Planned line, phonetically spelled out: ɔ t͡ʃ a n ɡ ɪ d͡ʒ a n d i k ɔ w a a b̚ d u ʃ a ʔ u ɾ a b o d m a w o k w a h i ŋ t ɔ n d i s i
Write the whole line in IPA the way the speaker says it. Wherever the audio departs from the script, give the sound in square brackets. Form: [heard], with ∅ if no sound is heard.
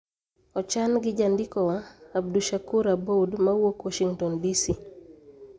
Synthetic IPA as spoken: ɔ t͡ʃ a n ɡ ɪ d͡ʒ a n d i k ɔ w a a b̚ d u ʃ a [k] u ɾ a b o d m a w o k w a [ʃ] i ŋ t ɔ n d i s i